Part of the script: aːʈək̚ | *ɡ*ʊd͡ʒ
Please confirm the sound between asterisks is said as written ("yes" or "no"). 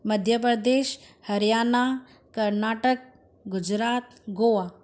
yes